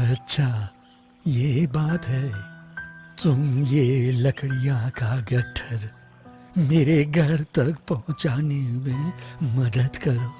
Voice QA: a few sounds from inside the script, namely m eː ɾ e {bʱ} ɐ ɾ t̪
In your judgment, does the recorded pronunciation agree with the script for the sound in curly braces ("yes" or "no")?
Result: no